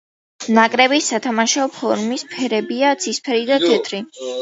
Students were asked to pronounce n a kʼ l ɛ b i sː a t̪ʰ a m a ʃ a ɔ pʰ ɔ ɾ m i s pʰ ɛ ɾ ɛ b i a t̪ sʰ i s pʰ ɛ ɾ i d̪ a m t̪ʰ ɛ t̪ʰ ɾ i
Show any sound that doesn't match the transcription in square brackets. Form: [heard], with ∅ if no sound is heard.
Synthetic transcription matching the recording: n a kʼ [ɾ] ɛ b i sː a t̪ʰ a m a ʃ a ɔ pʰ ɔ ɾ m i s pʰ ɛ ɾ ɛ b i a t̪ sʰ i s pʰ ɛ ɾ i d̪ a [∅] t̪ʰ ɛ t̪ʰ ɾ i

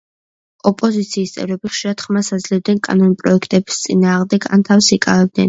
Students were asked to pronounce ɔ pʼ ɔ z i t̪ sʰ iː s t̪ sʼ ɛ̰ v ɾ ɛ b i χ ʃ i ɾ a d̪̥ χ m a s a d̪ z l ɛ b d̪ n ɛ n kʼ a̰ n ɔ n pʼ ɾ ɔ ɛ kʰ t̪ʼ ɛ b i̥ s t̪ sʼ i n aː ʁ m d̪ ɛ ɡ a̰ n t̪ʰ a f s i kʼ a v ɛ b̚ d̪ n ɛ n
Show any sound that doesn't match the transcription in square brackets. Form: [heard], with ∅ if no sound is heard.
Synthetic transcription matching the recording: ɔ pʼ ɔ z i t̪ sʰ iː s t̪ sʼ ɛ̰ v ɾ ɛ b i χ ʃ i ɾ a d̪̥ χ m a s a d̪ z l ɛ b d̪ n ɛ n kʼ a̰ n ɔ n pʼ ɾ ɔ ɛ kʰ t̪ʼ ɛ b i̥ s t̪ sʼ i n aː ʁ m d̪ ɛ ɡ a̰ n t̪ʰ a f s i kʼ a v ɛ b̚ d̪ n ɛ n

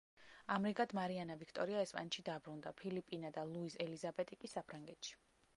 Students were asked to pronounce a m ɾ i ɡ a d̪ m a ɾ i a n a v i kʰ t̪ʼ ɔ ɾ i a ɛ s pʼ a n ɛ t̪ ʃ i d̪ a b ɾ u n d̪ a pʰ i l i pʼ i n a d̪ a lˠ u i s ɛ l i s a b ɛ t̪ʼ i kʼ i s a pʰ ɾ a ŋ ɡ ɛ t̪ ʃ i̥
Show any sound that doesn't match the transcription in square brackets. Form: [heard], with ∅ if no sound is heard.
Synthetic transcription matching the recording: a m ɾ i ɡ a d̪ m a ɾ i a n a v i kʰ t̪ʼ ɔ ɾ i a ɛ s pʼ a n ɛ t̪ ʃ i d̪ a b ɾ u n d̪ a pʰ i l i pʼ i n a d̪ a lˠ u i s ɛ l i [z] a b ɛ t̪ʼ i kʼ i s a pʰ ɾ a ŋ ɡ ɛ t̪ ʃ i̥

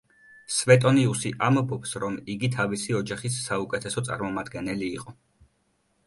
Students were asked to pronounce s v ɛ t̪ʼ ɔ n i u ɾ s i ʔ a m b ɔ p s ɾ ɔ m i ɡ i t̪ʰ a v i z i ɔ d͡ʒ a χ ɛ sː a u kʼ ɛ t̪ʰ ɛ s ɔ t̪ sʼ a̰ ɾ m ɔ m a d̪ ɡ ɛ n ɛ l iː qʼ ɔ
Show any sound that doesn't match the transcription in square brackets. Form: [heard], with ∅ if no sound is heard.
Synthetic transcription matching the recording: s v ɛ t̪ʼ ɔ n i u [∅] s i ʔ a m b ɔ p s ɾ ɔ m i ɡ i t̪ʰ a v i [s] i ɔ d͡ʒ a χ [i] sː a u kʼ ɛ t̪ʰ ɛ s ɔ t̪ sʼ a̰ ɾ m ɔ m a d̪ ɡ ɛ n ɛ l iː qʼ ɔ

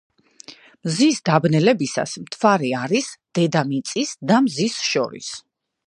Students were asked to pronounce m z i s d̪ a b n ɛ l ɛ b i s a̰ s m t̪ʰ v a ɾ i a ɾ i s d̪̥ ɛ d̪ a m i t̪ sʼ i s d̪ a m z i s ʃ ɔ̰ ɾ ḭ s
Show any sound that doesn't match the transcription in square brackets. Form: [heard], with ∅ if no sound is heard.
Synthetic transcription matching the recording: m z i s d̪ a b n ɛ l ɛ b i s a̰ s m t̪ʰ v a ɾ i a ɾ i s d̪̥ ɛ d̪ a m i t̪ sʼ i s d̪ a m z i s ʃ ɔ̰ ɾ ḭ s

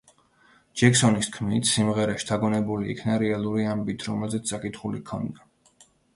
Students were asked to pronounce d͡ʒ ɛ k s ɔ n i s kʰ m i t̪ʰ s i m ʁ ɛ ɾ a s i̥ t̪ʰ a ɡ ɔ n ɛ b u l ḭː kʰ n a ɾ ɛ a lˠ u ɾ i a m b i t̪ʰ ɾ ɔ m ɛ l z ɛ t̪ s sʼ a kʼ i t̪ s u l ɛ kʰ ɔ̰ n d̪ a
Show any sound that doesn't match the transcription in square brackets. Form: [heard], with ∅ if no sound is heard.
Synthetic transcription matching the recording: d͡ʒ ɛ k s ɔ n i s kʰ m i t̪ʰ s i m ʁ ɛ ɾ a [ʃ] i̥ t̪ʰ a ɡ ɔ n ɛ b u l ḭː kʰ n a ɾ ɛ a lˠ u ɾ i a m b i t̪ʰ ɾ ɔ m ɛ l z ɛ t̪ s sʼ a kʼ i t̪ [χ] u l [i] kʰ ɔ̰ n d̪ a

